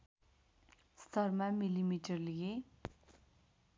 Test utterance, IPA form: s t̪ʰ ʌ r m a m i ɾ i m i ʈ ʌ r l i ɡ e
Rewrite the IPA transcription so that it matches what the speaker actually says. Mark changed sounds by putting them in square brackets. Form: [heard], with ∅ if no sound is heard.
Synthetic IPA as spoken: s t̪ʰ ʌ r m a m i [l] i m i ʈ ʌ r l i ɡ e

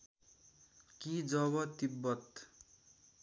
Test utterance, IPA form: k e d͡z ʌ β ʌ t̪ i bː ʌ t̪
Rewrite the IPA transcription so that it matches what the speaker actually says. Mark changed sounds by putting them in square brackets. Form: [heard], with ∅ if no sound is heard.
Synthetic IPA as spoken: k [i] d͡z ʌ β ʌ t̪ i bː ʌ t̪

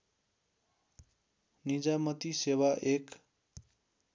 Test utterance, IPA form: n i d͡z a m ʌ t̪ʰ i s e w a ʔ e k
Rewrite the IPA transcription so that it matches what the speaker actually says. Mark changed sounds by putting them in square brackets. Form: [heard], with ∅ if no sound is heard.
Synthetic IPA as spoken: n i d͡z a m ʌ [t̪] i s e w a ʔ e k

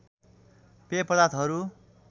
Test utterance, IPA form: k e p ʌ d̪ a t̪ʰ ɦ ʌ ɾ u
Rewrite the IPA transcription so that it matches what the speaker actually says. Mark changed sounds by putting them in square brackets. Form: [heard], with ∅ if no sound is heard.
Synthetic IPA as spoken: [p] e p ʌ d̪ a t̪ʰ ɦ ʌ ɾ u

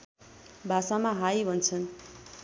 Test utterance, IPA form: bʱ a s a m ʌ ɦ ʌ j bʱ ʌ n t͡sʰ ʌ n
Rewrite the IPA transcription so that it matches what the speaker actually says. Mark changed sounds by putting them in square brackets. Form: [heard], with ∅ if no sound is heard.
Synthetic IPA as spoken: bʱ a s a m [a] ɦ [a] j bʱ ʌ n t͡sʰ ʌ n

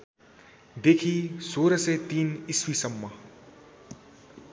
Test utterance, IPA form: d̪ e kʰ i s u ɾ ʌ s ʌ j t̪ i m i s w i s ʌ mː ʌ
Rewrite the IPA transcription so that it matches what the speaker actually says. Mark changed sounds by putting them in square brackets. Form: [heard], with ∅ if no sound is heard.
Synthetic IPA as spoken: d̪ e kʰ i s [o] ɾ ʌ s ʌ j t̪ i [n] i s w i s ʌ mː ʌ

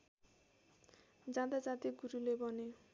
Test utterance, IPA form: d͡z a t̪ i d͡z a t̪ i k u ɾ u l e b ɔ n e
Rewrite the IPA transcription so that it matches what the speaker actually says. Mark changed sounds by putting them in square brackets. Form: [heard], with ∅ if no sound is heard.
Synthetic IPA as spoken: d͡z a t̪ [a] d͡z a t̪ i [ɡ] u ɾ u l e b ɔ n e

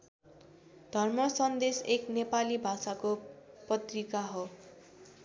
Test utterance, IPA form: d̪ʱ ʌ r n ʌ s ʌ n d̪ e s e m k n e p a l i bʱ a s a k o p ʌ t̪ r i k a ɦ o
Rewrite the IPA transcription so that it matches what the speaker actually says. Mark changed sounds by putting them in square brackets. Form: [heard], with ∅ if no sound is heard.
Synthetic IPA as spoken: d̪ʱ ʌ r [m] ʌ s ʌ n d̪ e s e [∅] k n e p a l i bʱ a s a k o p ʌ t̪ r i k a ɦ o

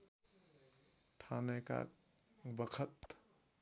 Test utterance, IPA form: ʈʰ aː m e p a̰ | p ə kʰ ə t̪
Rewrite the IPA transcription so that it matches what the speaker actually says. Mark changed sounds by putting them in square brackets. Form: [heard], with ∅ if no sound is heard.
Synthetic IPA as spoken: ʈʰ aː [n] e [k] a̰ | [b] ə kʰ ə t̪

